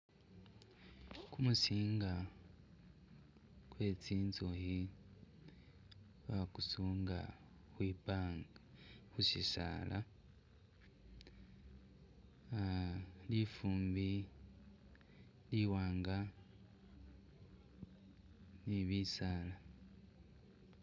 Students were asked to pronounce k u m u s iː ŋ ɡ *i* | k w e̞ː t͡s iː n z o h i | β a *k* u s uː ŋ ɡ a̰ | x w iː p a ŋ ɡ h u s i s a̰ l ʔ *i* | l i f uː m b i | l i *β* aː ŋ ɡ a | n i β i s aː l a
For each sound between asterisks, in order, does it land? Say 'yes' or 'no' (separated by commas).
no, yes, no, no